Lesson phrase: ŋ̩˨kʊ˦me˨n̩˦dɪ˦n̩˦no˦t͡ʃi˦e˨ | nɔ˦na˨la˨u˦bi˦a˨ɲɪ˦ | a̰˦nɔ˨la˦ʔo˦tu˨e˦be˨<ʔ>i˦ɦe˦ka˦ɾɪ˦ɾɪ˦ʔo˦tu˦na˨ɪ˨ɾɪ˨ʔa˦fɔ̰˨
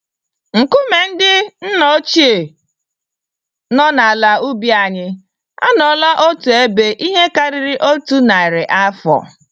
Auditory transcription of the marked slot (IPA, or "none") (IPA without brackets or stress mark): ʔ